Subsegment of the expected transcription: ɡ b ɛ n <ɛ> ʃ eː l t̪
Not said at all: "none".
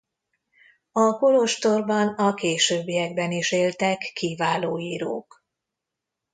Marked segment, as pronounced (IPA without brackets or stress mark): i